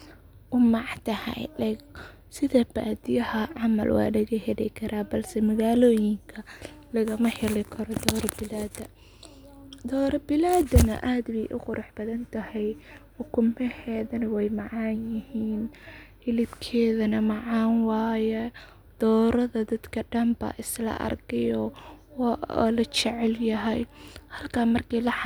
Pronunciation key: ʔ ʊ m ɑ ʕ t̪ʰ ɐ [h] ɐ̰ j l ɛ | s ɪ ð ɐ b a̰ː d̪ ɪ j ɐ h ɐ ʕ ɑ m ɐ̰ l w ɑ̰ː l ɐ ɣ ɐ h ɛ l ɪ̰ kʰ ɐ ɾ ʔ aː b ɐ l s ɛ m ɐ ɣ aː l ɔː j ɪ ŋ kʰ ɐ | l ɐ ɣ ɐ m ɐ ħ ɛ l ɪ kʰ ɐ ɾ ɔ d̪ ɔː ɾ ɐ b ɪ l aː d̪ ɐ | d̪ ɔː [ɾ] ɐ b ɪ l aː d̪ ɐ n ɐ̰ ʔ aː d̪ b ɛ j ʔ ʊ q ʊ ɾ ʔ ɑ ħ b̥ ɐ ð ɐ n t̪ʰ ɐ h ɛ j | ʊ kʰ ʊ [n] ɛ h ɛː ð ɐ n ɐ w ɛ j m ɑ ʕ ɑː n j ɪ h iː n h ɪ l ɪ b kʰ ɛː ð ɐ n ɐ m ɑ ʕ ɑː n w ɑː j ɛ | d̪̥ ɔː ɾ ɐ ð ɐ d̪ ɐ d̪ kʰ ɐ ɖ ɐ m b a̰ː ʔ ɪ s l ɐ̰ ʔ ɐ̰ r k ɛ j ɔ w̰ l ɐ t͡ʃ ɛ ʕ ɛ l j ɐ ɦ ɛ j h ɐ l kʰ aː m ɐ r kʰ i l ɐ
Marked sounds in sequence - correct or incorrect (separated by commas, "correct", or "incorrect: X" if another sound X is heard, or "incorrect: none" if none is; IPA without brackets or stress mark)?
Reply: correct, correct, incorrect: m